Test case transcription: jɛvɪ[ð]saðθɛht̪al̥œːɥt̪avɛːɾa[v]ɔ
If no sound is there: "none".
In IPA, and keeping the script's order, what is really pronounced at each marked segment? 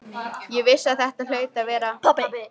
none, none

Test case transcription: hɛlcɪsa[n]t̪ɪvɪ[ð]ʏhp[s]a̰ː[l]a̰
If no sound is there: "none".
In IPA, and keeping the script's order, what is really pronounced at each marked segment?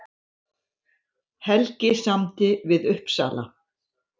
m, ð, s, l

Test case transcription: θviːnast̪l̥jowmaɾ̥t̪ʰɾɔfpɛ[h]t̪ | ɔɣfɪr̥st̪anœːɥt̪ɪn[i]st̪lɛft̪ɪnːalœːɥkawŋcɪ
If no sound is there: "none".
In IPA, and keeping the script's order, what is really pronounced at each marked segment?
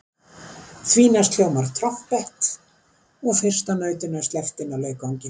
h, a

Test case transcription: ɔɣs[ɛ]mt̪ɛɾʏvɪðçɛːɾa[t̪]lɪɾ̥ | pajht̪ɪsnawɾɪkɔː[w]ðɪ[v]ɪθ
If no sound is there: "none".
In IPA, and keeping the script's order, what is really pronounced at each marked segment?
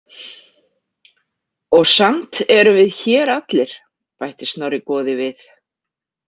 a, t̪, none, v

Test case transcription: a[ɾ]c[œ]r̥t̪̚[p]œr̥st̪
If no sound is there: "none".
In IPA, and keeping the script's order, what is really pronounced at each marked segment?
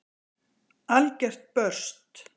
l, ɛ, p

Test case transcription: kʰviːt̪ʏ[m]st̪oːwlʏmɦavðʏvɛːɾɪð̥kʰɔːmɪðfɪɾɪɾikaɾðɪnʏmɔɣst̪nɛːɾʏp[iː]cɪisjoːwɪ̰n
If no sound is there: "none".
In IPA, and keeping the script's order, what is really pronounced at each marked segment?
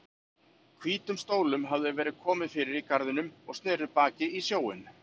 m, aː

